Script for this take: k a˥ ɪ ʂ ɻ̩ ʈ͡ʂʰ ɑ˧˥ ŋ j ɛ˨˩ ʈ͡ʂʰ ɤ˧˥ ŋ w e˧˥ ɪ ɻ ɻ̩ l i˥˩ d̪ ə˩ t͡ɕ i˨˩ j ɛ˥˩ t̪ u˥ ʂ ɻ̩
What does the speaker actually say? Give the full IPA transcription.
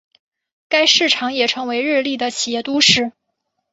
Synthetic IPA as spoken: k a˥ ɪ ʂ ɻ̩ ʈ͡ʂʰ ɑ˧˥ ŋ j ɛ˨˩ ʈ͡ʂʰ ɤ˧˥ ŋ w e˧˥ ɪ ɻ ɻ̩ l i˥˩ d̪ ə˩ t͡ɕʰ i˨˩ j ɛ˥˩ t̪ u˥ ʂ ɻ̩